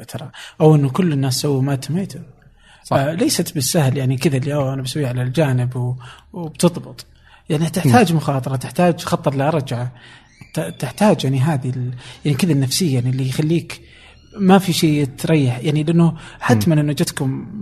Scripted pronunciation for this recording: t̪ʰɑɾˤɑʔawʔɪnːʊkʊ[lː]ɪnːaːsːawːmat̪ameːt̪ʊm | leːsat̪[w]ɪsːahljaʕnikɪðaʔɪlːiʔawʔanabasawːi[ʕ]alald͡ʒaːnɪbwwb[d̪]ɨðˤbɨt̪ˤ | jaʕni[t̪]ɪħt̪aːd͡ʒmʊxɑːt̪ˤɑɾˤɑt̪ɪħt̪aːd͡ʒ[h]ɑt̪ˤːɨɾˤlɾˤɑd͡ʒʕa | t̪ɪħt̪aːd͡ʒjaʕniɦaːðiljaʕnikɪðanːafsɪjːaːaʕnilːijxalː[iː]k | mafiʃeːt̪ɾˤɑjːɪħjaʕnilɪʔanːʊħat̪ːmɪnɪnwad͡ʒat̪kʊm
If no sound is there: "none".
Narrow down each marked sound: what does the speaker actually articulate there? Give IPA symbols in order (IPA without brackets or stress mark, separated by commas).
lː, b, ʕ, t̪, t̪, x, iː